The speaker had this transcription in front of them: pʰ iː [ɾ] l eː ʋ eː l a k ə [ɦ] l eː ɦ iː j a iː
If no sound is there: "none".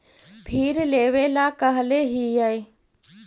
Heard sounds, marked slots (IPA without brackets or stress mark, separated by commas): ɾ, ɦ